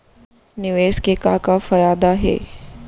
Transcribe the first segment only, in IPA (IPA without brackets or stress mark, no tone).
n